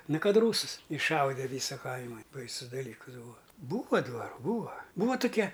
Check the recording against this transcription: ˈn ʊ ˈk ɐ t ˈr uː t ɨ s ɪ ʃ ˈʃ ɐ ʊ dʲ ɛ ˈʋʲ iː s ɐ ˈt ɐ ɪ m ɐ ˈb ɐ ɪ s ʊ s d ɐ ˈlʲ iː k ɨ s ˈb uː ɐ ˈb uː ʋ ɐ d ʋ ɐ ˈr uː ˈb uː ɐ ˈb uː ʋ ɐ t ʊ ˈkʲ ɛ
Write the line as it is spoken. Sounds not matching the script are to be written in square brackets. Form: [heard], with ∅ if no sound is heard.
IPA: ˈn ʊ ˈk ɐ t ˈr uː [s] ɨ s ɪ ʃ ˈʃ ɐ ʊ dʲ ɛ ˈʋʲ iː s ɐ [ˈk] ɐ ɪ m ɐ ˈb ɐ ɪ s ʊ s d ɐ ˈlʲ iː k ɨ s ˈb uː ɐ ˈb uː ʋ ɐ d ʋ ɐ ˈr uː ˈb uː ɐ ˈb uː ʋ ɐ t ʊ ˈkʲ ɛ